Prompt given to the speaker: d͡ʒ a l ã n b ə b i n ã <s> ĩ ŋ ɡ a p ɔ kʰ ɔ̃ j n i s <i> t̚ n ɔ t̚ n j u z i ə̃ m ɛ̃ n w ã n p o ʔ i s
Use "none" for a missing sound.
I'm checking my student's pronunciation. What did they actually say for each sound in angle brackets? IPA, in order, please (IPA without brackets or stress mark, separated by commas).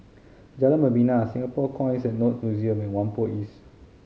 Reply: s, ɛ